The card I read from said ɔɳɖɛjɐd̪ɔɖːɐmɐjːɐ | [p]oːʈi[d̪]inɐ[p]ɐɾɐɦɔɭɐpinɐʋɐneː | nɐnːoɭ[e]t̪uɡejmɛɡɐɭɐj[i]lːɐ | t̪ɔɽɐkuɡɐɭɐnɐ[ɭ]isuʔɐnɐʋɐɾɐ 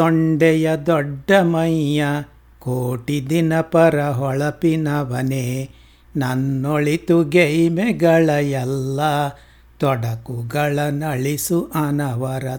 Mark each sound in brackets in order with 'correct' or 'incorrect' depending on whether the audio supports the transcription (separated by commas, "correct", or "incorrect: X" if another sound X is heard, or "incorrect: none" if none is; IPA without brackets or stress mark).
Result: incorrect: k, correct, correct, incorrect: i, incorrect: ɛ, correct